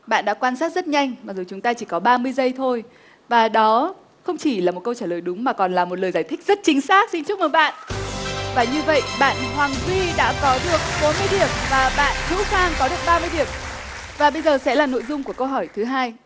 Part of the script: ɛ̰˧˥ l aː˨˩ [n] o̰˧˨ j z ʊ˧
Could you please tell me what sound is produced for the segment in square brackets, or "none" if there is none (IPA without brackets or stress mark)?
n